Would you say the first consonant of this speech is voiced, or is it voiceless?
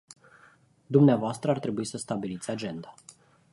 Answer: voiced